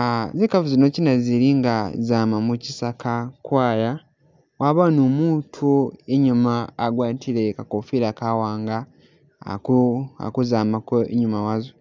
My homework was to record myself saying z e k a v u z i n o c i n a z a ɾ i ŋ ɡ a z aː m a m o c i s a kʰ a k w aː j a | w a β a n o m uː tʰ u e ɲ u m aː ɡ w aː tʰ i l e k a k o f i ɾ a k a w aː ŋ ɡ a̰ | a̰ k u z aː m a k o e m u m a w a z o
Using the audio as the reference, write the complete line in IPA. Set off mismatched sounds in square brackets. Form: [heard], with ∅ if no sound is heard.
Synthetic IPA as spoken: z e k a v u z i n o c i n a z [i] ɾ i ŋ ɡ a z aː m a m [u] c i s a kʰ a k w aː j a | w a β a n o m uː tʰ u e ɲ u m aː ɡ w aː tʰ i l e k a k o f i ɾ a k a w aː ŋ ɡ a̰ | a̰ k u z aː m a k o e [ɲ] u m a w a z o